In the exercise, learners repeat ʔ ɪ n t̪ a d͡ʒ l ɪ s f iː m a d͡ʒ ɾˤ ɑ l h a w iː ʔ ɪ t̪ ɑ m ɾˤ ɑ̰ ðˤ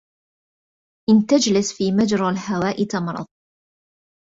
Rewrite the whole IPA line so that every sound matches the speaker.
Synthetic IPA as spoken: ʔ ɪ n t̪ a d͡ʒ l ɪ s f iː m a d͡ʒ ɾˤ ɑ l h a w aː ʔ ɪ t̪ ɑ m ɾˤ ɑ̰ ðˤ